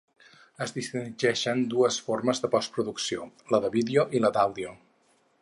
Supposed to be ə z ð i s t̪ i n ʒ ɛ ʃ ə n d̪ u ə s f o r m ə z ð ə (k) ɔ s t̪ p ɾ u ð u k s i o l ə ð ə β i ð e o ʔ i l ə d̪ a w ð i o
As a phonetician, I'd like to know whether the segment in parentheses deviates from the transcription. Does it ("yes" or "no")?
yes